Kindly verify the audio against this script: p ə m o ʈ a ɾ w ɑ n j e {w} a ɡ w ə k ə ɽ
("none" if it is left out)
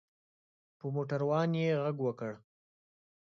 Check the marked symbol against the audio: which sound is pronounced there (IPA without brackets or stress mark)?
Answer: ɣ